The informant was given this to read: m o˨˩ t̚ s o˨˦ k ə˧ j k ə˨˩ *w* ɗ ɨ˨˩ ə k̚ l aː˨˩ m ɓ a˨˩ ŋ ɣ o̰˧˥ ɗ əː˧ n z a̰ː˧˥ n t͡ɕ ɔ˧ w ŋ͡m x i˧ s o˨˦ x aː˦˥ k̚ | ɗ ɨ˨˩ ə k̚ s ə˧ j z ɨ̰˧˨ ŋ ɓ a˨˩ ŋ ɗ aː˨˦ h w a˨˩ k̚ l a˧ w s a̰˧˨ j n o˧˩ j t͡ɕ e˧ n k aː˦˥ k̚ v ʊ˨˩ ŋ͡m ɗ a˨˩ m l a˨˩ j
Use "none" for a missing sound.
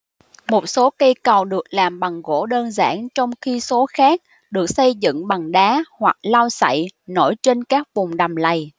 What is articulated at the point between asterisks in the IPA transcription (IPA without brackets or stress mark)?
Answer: w